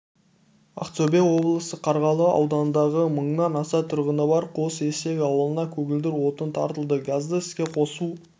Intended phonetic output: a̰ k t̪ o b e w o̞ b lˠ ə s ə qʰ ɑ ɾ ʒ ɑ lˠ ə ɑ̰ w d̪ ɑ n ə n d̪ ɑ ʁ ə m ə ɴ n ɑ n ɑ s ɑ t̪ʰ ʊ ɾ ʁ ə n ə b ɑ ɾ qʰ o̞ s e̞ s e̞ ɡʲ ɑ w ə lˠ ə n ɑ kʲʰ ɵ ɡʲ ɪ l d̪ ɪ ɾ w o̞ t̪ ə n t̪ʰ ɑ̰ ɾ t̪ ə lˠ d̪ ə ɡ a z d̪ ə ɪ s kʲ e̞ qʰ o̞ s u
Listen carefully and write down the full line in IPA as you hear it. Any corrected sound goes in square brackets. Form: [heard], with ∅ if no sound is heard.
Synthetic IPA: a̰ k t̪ o b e w o̞ b lˠ ə s ə qʰ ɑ ɾ [ʁ] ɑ lˠ ə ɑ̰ w d̪ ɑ n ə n d̪ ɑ ʁ ə m ə ɴ n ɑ n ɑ s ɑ t̪ʰ ʊ ɾ ʁ ə n ə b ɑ ɾ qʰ o̞ s e̞ s e̞ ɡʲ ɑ w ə lˠ ə n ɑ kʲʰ ɵ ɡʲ ɪ l d̪ ɪ ɾ w o̞ t̪ ə n t̪ʰ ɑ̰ ɾ t̪ ə lˠ d̪ ə ɡ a z d̪ ə ɪ s kʲ e̞ qʰ o̞ s u